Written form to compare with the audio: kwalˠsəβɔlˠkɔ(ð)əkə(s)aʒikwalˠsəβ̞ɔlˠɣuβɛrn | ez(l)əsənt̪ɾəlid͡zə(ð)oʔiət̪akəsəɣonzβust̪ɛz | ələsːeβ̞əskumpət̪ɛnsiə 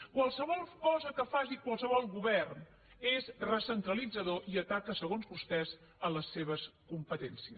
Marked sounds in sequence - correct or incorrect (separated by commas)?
incorrect, incorrect, incorrect, correct